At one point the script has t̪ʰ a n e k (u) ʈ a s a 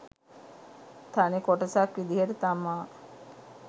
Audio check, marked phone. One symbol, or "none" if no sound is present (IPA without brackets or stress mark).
ɔ